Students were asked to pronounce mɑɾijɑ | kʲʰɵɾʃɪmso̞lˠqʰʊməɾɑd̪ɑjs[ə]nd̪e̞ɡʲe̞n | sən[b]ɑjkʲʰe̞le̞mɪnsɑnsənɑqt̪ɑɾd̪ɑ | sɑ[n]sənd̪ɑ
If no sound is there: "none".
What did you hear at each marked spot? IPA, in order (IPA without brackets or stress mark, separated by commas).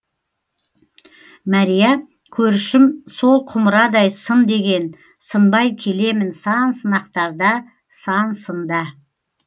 ə, b, n